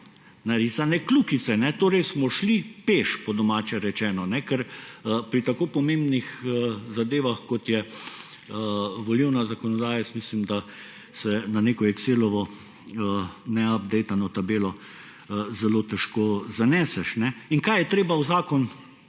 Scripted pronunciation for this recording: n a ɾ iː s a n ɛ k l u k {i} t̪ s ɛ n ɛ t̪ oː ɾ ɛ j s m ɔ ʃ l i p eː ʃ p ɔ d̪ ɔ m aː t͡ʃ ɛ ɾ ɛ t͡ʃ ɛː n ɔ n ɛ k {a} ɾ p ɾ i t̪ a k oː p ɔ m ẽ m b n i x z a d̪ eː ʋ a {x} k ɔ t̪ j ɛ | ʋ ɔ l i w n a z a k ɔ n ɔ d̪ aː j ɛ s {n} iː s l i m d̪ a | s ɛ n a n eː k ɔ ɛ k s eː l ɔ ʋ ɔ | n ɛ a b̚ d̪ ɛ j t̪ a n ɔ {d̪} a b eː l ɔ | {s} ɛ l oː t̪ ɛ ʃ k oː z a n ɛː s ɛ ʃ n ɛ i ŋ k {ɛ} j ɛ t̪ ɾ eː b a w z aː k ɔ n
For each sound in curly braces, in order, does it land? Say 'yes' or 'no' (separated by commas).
yes, no, yes, no, no, no, no